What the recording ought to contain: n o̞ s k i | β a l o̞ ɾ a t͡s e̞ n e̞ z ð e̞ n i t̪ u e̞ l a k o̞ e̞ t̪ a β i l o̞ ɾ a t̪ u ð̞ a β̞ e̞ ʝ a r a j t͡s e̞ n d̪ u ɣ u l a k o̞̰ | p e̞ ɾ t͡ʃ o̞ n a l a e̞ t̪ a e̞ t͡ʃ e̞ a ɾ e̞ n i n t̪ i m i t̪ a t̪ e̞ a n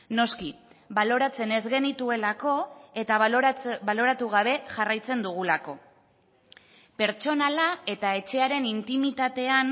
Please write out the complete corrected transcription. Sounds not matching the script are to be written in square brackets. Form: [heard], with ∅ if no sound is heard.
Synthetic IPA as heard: n o̞ s k i | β a l o̞ ɾ a t͡s e̞ n e̞ z [ɣ] e̞ n i t̪ u e̞ l a k o̞ e̞ t̪ a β [a] l o̞ ɾ a t̪ u [ɣ̞] a β̞ e̞ ʝ a r a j t͡s e̞ n d̪ u ɣ u l a k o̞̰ | p e̞ ɾ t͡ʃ o̞ n a l a e̞ t̪ a e̞ t͡ʃ e̞ a ɾ e̞ n i n t̪ i m i t̪ a t̪ e̞ a n

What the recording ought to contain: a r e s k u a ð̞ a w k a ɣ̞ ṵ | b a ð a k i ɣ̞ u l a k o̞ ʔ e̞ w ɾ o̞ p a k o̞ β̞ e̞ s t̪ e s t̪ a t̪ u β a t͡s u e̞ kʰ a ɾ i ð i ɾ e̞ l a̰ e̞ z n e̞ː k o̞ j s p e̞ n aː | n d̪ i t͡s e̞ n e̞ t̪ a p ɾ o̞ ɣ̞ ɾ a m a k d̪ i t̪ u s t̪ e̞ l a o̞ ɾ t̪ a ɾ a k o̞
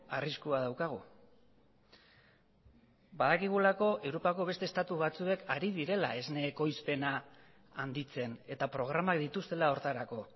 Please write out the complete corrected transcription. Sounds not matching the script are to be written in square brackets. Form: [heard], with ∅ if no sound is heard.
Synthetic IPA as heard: a r [i] s k u a ð̞ a w k a ɣ̞ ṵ | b a ð a k i ɣ̞ u l a k o̞ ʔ e̞ w ɾ o̞ p a k o̞ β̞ e̞ s t̪ e s t̪ a t̪ u β a t͡s u e̞ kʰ a ɾ i ð i ɾ e̞ l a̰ e̞ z n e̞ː k o̞ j s p e̞ n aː | n d̪ i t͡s e̞ n e̞ t̪ a p ɾ o̞ ɣ̞ ɾ a m a k d̪ i t̪ u s t̪ e̞ l a o̞ ɾ t̪ a ɾ a k o̞

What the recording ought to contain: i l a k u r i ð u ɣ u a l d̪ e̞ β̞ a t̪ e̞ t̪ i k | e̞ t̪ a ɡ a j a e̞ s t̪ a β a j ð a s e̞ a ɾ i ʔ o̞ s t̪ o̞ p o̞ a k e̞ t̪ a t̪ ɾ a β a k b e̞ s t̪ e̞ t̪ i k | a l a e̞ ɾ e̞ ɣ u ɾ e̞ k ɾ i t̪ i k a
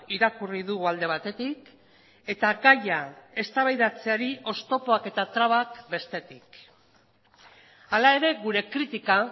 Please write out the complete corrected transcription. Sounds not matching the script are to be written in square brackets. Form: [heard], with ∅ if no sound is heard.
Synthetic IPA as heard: i [ɾ] a k u r i ð u ɣ u a l d̪ e̞ β̞ a t̪ e̞ t̪ i k | e̞ t̪ a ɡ a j a e̞ s t̪ a β a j ð a [t͡s] e̞ a ɾ i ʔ o̞ s t̪ o̞ p o̞ a k e̞ t̪ a t̪ ɾ a β a k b e̞ s t̪ e̞ t̪ i k | a l a e̞ ɾ e̞ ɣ u ɾ e̞ k ɾ i t̪ i k a

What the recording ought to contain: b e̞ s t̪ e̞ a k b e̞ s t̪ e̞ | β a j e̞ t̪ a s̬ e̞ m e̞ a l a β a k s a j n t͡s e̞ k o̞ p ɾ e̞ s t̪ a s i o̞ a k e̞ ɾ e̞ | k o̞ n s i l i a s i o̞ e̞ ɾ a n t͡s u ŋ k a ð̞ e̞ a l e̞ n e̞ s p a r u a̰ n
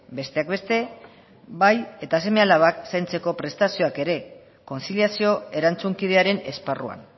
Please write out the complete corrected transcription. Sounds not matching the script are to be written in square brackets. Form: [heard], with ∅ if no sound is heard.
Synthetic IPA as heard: b e̞ s t̪ e̞ a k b e̞ s t̪ e̞ | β a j e̞ t̪ a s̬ e̞ m e̞ a l a β a k s a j n t͡s e̞ k o̞ p ɾ e̞ s t̪ a s i o̞ a k e̞ ɾ e̞ | k o̞ n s i l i a s i o̞ e̞ ɾ a n t͡s u ŋ k [i] ð̞ e̞ a [ɾ] e̞ n e̞ s p a r u a̰ n

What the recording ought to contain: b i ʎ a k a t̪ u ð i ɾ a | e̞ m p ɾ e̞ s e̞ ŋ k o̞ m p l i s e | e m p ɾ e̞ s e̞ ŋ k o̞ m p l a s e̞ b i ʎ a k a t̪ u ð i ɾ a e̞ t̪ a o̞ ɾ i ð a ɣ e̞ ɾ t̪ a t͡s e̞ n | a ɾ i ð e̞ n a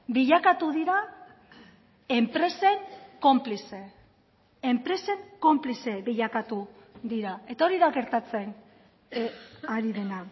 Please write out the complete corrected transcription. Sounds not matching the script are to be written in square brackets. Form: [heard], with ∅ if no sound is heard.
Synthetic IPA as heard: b i ʎ a k a t̪ u ð i ɾ a | e̞ m p ɾ e̞ s e̞ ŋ k o̞ m p l i s e | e m p ɾ e̞ s e̞ ŋ k o̞ m p l [i] s e̞ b i ʎ a k a t̪ u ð i ɾ a e̞ t̪ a o̞ ɾ i ð a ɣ e̞ ɾ t̪ a t͡s e̞ n | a ɾ i ð e̞ n a

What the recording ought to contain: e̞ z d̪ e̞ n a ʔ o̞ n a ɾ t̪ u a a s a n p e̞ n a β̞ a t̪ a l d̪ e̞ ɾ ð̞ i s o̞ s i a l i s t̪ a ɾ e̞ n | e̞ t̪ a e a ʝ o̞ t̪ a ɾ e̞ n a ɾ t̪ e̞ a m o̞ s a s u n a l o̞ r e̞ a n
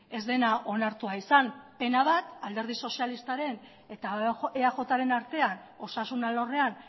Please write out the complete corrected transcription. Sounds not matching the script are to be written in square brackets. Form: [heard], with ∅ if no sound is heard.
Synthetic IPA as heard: e̞ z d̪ e̞ n a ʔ o̞ n a ɾ t̪ u a [i] s a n p e̞ n a β̞ a t̪ a l d̪ e̞ ɾ ð̞ i s o̞ s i a l i s t̪ a ɾ e̞ n | e̞ t̪ a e a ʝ o̞ t̪ a ɾ e̞ n a ɾ t̪ e̞ a [n] o̞ s a s u n a l o̞ r e̞ a n

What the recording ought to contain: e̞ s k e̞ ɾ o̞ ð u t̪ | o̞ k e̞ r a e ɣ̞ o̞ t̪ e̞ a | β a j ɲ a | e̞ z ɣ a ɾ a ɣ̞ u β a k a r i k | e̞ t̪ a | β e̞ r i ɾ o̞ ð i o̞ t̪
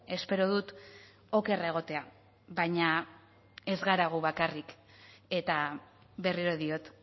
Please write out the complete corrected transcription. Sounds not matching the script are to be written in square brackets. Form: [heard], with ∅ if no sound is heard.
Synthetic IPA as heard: e̞ s [p] e̞ ɾ o̞ ð u t̪ | o̞ k e̞ r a e ɣ̞ o̞ t̪ e̞ a | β a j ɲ a | e̞ z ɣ a ɾ a ɣ̞ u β a k a r i k | e̞ t̪ a | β e̞ r i ɾ o̞ ð i o̞ t̪

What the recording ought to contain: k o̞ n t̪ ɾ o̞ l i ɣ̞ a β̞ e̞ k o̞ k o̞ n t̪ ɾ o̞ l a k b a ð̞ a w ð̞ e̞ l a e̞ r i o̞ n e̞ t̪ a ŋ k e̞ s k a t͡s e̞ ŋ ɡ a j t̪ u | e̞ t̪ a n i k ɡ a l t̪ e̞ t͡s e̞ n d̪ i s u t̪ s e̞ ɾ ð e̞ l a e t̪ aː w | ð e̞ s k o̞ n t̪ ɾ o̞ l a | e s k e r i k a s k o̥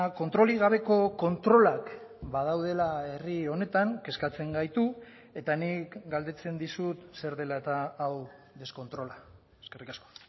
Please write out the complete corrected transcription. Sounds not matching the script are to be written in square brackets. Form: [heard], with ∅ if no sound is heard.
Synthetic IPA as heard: k o̞ n t̪ ɾ o̞ l i ɣ̞ a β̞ e̞ k o̞ k o̞ n t̪ ɾ o̞ l a k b a ð̞ a w ð̞ e̞ l a e̞ r i o̞ n e̞ t̪ a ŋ k e̞ s k a t͡s e̞ ŋ ɡ a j t̪ u | e̞ t̪ a n i k ɡ a l [d̪] e̞ t͡s e̞ n d̪ i s u t̪ s e̞ ɾ ð e̞ l a e t̪ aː w | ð e̞ s k o̞ n t̪ ɾ o̞ l a | e s k e r i k a s k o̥

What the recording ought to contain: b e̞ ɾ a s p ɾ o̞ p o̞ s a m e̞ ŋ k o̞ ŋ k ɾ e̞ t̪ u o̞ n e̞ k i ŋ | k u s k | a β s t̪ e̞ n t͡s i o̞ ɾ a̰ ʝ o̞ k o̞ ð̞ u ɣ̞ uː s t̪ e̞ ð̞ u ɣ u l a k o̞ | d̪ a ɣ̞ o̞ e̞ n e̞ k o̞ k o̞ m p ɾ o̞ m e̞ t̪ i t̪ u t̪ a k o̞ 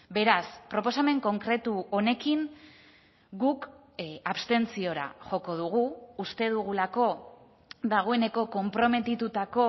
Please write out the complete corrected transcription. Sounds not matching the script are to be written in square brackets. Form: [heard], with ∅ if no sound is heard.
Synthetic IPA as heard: b e̞ ɾ a s p ɾ o̞ p o̞ s a m e̞ ŋ k o̞ ŋ k ɾ e̞ t̪ u o̞ n e̞ k i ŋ | [ɡ] u [∅] k | a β s t̪ e̞ n t͡s i o̞ ɾ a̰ ʝ o̞ k o̞ ð̞ u ɣ̞ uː s t̪ e̞ ð̞ u ɣ u l a k o̞ | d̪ a ɣ̞ o̞ e̞ n e̞ k o̞ k o̞ m p ɾ o̞ m e̞ t̪ i t̪ u t̪ a k o̞

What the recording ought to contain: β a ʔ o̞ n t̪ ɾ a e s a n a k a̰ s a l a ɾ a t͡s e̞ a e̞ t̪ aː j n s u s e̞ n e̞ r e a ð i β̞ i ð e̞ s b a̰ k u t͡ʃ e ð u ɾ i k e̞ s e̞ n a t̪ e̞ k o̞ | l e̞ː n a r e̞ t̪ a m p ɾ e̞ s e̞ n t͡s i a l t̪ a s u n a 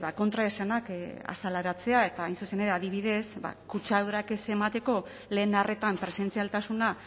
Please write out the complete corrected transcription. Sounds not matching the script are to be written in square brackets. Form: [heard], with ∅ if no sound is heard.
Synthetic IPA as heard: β a [k] o̞ n t̪ ɾ a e s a n a k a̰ s a l a ɾ a t͡s e̞ a e̞ t̪ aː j n s u s e̞ n e̞ [ɾ] e a ð i β̞ i ð e̞ s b a̰ k u t͡ʃ [a] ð u ɾ [a] k e̞ s e̞ [m] a t̪ e̞ k o̞ | l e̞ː n a r e̞ t̪ a m p ɾ e̞ s e̞ n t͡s i a l t̪ a s u n a

